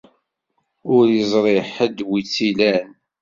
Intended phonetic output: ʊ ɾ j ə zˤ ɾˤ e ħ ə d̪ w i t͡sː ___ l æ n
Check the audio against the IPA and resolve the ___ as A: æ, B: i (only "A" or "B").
B